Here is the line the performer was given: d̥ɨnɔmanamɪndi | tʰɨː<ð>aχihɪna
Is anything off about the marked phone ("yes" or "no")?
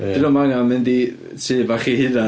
yes